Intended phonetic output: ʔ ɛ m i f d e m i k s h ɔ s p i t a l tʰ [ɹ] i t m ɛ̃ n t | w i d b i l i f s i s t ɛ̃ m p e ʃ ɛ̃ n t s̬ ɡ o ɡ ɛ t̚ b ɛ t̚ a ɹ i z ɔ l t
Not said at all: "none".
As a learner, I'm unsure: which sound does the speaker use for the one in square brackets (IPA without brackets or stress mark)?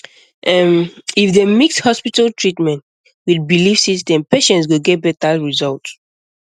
ɹ